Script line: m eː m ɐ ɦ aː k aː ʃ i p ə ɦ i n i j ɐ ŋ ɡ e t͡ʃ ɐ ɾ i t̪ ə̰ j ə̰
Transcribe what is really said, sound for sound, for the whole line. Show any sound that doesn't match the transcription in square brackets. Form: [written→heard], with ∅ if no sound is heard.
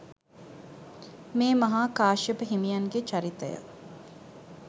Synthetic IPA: m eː m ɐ ɦ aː k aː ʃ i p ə ɦ i [n→m] i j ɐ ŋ ɡ e t͡ʃ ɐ ɾ i t̪ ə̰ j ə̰